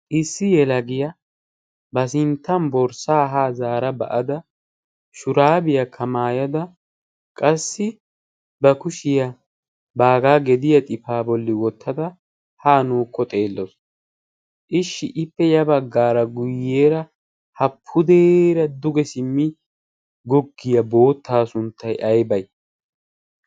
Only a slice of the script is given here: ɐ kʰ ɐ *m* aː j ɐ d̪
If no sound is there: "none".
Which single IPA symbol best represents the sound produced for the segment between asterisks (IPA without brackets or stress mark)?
m